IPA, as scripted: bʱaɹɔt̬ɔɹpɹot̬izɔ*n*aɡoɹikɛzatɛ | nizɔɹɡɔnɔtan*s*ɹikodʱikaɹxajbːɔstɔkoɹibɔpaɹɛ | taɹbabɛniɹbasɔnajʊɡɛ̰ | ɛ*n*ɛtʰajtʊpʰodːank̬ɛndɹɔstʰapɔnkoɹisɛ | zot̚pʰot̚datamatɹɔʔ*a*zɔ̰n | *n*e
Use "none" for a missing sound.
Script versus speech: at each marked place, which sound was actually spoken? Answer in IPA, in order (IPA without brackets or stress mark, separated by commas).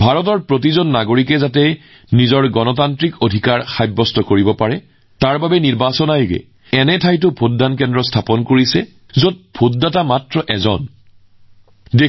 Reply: nː, t, n, ɛ, d